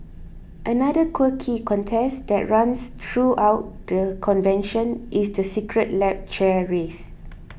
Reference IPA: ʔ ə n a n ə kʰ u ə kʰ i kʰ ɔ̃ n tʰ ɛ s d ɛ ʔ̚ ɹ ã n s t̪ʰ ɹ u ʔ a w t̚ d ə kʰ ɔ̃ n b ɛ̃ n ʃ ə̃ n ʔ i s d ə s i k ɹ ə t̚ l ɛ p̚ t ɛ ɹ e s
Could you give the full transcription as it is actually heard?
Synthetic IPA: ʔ ə n a d ə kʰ w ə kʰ i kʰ ɔ̃ n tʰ ɛ s d ɛ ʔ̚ ɹ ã n s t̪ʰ ɹ u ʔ a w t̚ d ə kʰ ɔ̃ n v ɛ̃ n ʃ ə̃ n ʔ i s d ə s i k ɹ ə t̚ l ɛ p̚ t͡ʃ ɛ ɹ e s

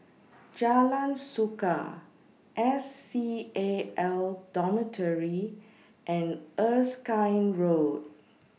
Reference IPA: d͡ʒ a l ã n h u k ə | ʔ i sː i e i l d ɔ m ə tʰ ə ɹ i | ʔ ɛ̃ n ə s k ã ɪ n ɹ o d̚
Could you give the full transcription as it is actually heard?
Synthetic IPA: d͡ʒ a l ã n s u k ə | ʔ ɛ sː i e ɛ l d ɔ m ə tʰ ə ɹ i | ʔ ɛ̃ n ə s k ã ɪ n ɹ o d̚

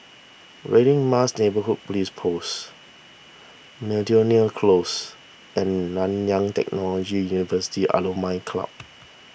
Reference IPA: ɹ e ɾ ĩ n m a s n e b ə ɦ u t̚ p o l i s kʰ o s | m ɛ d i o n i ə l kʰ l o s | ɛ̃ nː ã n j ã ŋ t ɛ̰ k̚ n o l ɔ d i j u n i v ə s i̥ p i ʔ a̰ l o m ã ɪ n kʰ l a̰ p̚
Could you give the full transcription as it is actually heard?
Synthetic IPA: ɹ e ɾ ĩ ŋ m a s n e b ə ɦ u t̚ p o l i s pʰ o s | m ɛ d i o n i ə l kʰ l o s | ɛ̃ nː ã n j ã ŋ t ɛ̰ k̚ n ɔ l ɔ d͡ʒ i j u n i v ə s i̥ t i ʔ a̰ l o m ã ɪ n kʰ l a̰ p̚

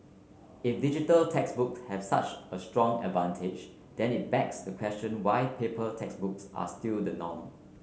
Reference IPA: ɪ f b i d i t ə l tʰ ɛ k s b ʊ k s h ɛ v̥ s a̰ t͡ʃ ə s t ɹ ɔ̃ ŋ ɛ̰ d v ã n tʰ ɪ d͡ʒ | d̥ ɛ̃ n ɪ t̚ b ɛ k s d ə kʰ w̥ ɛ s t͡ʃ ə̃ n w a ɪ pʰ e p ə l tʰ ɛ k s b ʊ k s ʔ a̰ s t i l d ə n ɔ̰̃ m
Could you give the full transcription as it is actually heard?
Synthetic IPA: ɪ f d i d͡ʒ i t ə l tʰ ɛ k s b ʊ k s h ɛ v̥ s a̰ t͡ʃ ə s t ɹ ɔ̃ ŋ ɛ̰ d v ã n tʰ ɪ d͡ʒ | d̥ ɛ̃ n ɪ t̚ b ɛ k s d ə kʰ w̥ ɛ s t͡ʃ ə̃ n w a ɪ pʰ e p ə l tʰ ɛ k s b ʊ k s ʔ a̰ s t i l d ə n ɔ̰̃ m

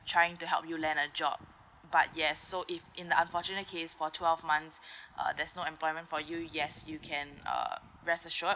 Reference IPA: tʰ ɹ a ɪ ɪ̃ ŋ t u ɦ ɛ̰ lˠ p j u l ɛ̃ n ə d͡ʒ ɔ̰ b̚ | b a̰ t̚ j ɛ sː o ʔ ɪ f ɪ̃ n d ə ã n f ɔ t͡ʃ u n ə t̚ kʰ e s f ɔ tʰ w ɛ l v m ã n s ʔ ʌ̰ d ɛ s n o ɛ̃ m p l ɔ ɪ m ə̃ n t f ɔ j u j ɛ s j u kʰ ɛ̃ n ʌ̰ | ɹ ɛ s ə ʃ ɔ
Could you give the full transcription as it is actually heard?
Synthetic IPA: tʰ ɹ a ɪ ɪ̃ ŋ t u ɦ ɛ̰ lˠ p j u l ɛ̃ n ə d͡ʒ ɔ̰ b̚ | b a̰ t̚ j ɛ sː o ʔ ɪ f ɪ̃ n d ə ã n f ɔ t͡ʃ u n ə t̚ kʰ e s f ɔ tʰ w ɛ l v m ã n s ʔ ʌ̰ d ɛ s n o ɛ̃ m p l ɔ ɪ m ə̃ n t f ɔ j u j ɛ s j u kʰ ɛ̃ n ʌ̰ | ɹ ɛ s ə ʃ ɔ

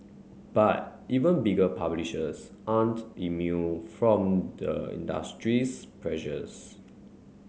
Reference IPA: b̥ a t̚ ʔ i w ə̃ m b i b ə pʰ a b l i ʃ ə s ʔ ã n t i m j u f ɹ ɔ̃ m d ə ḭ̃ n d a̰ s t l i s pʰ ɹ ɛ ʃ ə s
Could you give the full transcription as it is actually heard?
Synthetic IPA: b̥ a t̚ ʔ i v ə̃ n b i ɡ ə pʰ a b l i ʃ ə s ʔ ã n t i m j u f ɹ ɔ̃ m d ə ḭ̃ n d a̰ s t ɹ i s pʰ ɹ ɛ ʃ ə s

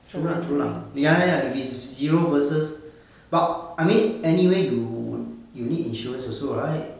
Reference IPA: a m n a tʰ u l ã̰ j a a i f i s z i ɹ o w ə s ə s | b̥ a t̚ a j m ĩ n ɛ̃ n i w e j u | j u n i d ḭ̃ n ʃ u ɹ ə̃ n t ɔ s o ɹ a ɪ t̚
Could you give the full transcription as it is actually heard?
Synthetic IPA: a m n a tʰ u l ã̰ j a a i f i s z i ɹ o v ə s ə s | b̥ a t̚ a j m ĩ n ɛ n i w e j u | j u n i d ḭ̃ n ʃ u ɹ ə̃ n s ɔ s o ɹ a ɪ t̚

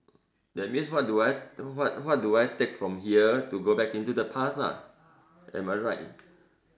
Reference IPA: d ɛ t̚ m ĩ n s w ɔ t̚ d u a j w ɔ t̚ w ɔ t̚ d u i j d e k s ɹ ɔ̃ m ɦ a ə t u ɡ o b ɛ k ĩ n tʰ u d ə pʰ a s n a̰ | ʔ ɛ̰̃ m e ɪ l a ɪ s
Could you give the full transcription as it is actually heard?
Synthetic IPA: d ɛ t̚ m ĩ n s w ɔ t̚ d u a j w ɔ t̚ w ɔ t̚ d u a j t e k f ɹ ɔ̃ m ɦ i ə t u ɡ o b ɛ k ĩ n t u d ə pʰ a s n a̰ | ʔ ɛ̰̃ m a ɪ ɹ a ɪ t

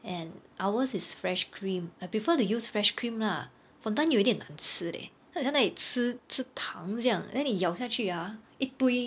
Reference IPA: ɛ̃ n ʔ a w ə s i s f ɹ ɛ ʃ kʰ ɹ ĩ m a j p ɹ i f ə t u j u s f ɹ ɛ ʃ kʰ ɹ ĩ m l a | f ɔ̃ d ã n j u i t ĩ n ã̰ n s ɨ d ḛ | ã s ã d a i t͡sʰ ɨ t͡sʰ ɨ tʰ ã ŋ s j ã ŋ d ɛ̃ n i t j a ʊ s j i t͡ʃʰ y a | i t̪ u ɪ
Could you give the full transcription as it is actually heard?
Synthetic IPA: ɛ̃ n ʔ a w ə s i s f ɹ ɛ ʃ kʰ ɹ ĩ m a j p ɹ i f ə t u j u s f ɹ ɛ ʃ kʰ ɹ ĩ m l a | f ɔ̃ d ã n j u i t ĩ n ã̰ n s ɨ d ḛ | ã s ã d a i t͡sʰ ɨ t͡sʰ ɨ tʰ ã ŋ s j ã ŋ d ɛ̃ n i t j a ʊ s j a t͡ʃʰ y a | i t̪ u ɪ

